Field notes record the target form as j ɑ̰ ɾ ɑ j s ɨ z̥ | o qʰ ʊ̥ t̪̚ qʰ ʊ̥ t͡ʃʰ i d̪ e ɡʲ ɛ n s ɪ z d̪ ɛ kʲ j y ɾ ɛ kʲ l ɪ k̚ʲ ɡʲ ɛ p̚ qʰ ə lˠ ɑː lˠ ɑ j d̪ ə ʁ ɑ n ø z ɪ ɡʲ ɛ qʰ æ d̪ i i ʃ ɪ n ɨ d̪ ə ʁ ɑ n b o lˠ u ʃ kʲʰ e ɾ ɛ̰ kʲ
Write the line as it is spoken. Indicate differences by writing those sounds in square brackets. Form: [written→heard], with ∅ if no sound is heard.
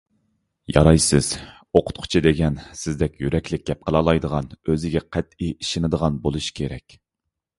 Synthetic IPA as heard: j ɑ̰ ɾ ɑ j s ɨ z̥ | o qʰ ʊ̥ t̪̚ qʰ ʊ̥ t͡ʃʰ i d̪ e ɡʲ ɛ n s ɪ z d̪ ɛ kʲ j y ɾ ɛ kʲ l ɪ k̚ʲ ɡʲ ɛ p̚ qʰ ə lˠ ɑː lˠ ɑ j d̪ ə ʁ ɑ n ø z ɪ ɡʲ ɛ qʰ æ [d̪→t̪] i i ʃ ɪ n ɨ d̪ ə ʁ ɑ n b o lˠ u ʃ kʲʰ e ɾ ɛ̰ kʲ